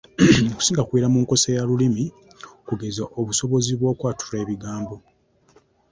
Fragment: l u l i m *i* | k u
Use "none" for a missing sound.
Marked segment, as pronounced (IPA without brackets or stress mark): i